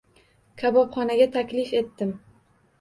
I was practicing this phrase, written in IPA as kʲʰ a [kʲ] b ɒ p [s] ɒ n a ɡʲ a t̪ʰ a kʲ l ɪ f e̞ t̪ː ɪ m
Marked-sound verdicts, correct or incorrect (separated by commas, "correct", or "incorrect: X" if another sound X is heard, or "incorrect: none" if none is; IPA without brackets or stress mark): incorrect: none, incorrect: χ